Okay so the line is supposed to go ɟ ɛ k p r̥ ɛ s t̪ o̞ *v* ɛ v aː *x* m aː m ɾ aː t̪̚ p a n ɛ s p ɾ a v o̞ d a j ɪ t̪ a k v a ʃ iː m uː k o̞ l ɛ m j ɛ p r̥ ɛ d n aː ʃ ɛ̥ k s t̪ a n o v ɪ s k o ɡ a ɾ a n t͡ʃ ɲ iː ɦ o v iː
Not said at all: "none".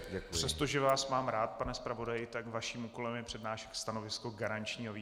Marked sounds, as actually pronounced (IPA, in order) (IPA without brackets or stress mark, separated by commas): ʒ, s